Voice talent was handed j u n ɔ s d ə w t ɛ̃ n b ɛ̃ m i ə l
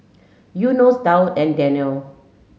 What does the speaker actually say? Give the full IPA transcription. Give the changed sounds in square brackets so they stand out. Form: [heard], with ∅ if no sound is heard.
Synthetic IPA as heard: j u n [o] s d [a] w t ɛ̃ n [d] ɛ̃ [n] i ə l